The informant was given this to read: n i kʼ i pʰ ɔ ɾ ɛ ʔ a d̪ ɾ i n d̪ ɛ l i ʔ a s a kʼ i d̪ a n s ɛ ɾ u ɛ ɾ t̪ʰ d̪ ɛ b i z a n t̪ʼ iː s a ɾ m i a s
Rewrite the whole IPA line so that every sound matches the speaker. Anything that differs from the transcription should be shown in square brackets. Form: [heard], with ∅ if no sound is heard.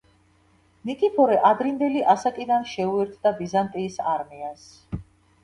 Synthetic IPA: n i kʼ i pʰ ɔ ɾ ɛ ʔ a d̪ ɾ i n d̪ ɛ l i ʔ a s a kʼ i d̪ a n [ʃ] ɛ [∅] u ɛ ɾ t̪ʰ d̪ [a] b i z a n t̪ʼ iː s a ɾ m i a s